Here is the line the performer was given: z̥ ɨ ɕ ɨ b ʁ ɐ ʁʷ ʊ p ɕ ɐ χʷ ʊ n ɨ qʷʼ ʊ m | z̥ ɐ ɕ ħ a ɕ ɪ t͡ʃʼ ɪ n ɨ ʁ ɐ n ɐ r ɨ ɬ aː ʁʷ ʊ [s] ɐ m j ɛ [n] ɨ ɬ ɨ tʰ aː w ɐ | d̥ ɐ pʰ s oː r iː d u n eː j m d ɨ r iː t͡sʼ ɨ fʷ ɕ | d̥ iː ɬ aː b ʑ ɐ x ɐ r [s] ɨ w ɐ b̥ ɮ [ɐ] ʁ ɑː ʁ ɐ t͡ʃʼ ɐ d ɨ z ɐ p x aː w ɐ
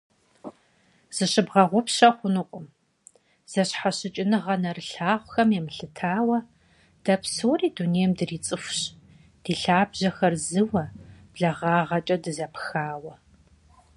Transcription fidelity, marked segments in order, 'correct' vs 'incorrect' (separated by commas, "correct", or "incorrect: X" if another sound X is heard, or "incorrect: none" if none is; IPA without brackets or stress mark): incorrect: x, incorrect: m, incorrect: z, correct